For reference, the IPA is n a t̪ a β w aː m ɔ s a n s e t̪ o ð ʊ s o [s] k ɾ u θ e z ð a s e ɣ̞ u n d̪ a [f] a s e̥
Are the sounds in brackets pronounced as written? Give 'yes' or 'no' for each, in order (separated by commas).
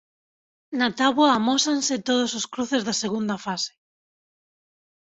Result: yes, yes